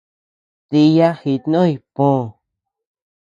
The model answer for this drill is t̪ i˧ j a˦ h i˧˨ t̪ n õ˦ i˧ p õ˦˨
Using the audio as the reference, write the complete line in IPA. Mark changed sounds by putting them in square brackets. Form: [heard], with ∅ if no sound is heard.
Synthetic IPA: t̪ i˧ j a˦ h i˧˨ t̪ n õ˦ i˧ p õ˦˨